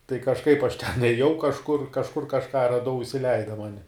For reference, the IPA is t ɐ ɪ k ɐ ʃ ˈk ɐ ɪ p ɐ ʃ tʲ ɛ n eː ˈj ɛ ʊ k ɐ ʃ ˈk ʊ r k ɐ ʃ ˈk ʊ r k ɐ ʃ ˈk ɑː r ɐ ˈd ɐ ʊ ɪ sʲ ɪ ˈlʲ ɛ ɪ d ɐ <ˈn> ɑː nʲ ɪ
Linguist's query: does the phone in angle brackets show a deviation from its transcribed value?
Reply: yes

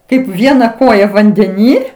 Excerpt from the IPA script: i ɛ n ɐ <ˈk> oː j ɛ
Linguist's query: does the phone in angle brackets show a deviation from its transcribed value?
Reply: no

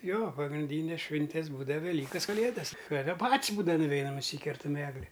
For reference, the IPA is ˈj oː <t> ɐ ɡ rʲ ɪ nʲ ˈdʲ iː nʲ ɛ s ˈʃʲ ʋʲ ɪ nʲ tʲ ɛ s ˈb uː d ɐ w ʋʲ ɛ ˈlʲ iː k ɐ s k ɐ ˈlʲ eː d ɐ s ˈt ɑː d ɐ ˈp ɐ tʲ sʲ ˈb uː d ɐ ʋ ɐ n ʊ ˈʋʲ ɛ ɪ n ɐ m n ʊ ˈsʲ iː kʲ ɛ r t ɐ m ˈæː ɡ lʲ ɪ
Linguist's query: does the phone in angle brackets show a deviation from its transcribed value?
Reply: yes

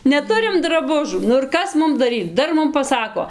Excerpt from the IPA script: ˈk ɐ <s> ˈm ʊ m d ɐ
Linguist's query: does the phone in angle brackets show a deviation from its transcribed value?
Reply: no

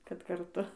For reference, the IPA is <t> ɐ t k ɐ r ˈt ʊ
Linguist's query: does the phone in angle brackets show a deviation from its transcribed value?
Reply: yes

